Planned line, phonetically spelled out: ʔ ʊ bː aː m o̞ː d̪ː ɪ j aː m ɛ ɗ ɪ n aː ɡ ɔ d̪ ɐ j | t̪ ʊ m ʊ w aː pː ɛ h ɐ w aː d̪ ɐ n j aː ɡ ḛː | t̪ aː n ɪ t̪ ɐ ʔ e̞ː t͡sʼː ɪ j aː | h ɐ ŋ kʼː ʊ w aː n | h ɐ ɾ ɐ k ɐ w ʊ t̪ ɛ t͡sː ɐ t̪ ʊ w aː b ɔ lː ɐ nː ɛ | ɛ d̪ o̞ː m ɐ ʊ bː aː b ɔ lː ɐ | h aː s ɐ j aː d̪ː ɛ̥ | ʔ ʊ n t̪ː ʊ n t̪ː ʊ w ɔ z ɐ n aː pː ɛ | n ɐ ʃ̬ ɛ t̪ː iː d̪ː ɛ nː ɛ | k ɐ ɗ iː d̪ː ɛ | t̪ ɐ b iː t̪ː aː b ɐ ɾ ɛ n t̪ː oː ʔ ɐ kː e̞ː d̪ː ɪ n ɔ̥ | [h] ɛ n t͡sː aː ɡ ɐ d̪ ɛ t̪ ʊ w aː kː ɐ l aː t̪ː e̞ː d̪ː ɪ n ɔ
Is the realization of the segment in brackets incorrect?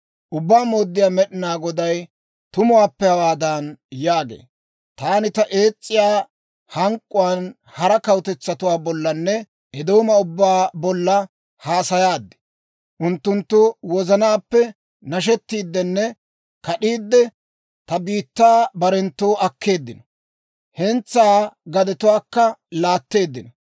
no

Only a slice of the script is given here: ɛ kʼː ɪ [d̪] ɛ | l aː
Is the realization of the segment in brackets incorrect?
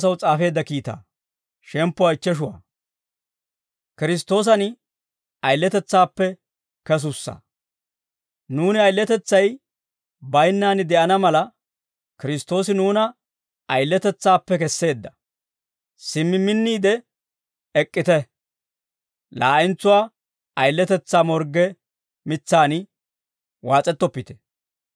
yes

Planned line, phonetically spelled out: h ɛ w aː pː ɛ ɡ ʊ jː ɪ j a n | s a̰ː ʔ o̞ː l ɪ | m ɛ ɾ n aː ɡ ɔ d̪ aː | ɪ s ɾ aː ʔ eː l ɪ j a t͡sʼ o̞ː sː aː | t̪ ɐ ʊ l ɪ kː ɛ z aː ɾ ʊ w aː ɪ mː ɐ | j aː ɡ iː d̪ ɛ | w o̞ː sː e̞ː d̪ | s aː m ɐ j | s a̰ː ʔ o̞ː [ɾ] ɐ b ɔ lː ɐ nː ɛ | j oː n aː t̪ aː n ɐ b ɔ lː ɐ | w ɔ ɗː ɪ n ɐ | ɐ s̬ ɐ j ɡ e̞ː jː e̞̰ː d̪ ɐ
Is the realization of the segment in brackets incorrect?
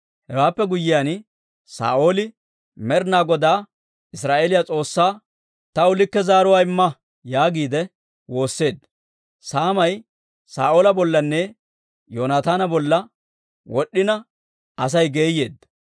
yes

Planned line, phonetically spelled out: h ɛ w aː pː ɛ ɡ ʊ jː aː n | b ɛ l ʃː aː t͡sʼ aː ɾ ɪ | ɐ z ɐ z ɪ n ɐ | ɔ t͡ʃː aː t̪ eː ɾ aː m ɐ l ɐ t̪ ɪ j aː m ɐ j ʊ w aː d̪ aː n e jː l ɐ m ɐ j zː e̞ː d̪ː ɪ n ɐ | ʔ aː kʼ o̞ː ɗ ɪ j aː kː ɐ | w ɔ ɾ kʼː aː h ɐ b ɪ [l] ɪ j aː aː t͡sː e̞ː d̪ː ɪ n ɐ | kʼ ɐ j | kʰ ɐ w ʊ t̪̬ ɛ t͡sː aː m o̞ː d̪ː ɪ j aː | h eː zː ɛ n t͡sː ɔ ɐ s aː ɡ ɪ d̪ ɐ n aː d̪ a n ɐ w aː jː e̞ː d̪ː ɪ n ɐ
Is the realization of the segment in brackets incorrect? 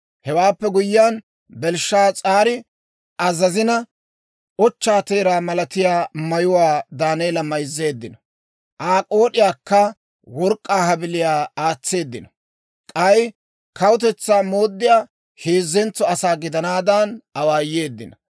no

